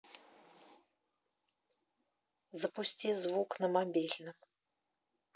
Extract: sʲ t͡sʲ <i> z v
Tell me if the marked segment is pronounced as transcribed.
yes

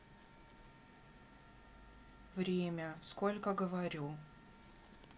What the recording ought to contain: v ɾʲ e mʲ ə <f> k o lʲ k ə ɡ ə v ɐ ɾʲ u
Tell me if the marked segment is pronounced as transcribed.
no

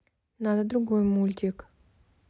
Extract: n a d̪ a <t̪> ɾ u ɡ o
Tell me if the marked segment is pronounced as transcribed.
no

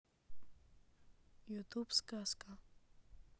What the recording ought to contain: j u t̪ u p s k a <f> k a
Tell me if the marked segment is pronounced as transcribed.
no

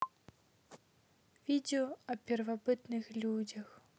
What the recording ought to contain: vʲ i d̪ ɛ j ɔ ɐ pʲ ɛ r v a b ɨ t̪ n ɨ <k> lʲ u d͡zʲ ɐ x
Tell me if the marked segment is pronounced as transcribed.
no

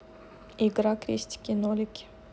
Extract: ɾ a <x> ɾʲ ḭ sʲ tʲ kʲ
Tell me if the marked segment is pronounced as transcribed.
no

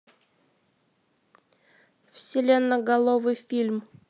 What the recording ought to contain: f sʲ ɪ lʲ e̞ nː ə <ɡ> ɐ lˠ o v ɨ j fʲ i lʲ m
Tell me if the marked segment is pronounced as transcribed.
yes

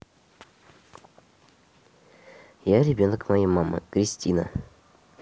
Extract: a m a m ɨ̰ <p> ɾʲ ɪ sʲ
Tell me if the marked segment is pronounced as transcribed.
no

